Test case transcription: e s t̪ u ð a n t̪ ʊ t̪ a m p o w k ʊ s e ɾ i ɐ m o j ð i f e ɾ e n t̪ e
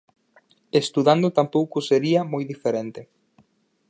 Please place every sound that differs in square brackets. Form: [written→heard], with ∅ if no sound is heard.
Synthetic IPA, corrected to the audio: e s t̪ u ð a n [t̪→d̪] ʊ t̪ a m p o w k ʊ s e ɾ i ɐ m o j ð i f e ɾ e n t̪ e